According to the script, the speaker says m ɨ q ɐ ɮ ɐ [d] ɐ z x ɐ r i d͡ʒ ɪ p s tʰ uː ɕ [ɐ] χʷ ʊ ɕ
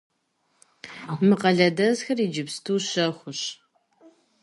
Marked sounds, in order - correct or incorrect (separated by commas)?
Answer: correct, correct